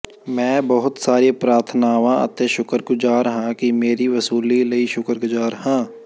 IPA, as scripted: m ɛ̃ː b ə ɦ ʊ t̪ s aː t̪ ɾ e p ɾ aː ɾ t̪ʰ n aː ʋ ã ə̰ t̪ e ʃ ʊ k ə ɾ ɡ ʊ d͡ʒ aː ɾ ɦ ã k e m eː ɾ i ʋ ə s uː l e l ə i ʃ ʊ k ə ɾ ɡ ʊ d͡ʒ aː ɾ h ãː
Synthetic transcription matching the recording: m ɛ̃ː b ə ɦ ʊ t̪ s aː ɾ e p ɾ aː ɾ t̪ʰ n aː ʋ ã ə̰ t̪ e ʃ ʊ k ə ɾ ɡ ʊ d͡ʒ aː ɾ ɦ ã k i m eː ɾ i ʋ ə s uː l i l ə i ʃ ʊ k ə ɾ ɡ ʊ d͡ʒ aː ɾ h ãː